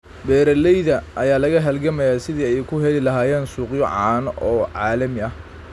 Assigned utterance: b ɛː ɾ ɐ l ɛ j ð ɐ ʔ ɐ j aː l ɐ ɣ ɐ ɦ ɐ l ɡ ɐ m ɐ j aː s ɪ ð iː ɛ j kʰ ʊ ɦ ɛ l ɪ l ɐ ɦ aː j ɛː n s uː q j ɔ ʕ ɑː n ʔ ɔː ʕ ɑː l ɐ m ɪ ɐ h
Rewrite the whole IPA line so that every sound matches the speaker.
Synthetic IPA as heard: b ɛː ɾ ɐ l ɛ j ð ɐ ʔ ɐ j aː l ɐ ɣ ɐ ɦ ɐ l ɡ ɐ m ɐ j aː s ɪ ð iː ɛ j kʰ ʊ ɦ ɛ l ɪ l ɐ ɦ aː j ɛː n s uː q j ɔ ʕ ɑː n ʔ ɔː ʕ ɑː l ɐ m ɪ ɐ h